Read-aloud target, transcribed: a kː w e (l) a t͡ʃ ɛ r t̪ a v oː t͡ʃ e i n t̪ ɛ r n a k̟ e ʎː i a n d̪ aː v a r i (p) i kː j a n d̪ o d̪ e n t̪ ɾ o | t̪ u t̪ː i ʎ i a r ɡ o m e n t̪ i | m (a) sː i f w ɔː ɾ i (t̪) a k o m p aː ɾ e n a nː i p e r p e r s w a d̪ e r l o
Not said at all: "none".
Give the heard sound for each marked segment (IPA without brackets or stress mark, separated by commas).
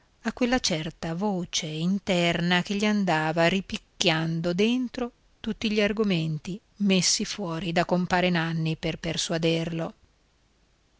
lː, p, e, d̪